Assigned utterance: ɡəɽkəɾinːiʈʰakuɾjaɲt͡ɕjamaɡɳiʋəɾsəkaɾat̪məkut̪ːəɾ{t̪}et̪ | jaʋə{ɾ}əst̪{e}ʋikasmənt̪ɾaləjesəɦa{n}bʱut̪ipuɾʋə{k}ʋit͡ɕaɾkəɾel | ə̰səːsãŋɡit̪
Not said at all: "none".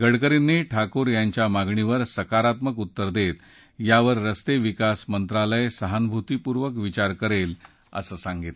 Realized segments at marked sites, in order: d̪, ɾː, e, n, k

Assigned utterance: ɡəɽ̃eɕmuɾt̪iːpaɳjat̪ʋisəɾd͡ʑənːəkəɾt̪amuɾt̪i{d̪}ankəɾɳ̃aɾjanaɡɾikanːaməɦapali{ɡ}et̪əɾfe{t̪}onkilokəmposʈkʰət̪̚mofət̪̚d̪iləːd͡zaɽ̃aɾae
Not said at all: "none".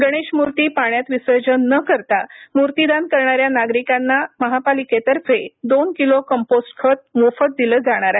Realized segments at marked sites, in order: d̪, k, d̪

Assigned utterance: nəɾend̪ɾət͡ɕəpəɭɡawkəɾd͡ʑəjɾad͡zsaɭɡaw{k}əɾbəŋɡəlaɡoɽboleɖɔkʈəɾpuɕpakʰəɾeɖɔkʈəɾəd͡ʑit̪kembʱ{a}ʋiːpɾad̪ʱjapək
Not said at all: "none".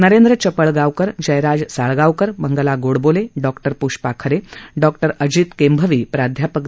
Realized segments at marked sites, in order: k, ə

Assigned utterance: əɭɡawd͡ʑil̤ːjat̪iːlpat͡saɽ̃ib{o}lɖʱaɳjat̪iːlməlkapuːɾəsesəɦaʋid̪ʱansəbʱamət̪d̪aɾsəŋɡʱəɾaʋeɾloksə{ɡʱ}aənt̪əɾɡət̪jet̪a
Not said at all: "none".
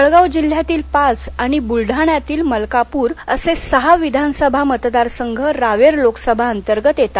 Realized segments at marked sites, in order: u, bʱ

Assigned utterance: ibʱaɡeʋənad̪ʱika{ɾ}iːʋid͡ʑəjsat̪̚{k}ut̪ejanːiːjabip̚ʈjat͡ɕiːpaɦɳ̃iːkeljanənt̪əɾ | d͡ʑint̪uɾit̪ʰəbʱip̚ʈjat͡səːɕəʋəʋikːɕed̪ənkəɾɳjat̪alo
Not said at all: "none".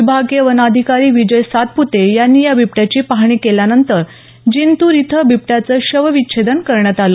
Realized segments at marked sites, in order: ɾ, p

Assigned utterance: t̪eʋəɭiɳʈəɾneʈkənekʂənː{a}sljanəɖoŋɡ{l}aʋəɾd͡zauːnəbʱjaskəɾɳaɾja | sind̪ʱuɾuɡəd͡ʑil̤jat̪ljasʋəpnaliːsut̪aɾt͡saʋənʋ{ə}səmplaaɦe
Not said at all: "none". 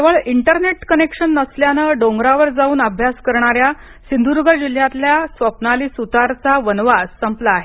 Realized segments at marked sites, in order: ə, ɾ, a

